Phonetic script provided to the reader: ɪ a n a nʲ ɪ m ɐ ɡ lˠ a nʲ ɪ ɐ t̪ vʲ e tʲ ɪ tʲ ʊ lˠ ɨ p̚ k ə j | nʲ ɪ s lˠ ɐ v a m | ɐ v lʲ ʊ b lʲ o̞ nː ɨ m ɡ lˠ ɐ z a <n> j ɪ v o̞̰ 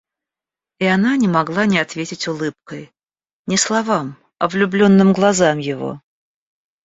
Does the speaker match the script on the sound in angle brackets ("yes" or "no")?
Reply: no